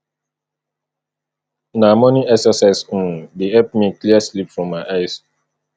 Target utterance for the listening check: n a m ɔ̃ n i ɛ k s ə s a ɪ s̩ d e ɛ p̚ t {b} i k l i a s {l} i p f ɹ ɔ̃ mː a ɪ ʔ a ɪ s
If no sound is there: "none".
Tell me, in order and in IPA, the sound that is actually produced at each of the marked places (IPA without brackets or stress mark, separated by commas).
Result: m, l